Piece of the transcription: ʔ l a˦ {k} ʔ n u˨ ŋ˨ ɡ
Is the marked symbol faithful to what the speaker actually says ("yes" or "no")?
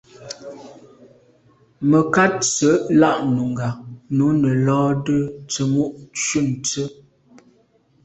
no